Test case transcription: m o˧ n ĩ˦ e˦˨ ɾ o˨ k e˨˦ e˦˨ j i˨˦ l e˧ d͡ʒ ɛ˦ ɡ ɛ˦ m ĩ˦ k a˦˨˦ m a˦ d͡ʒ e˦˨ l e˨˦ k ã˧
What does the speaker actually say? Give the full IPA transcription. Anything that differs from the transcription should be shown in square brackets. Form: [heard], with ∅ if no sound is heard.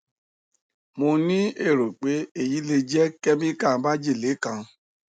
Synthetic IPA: m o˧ n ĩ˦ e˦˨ ɾ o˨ [k͡p] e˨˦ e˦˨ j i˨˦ l e˧ d͡ʒ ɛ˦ [k] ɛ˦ m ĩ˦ k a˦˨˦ [b] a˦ d͡ʒ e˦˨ l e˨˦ k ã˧